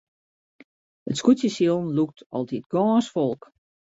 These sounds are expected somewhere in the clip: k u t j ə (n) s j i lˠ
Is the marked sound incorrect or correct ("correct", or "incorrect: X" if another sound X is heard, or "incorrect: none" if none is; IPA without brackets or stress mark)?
incorrect: none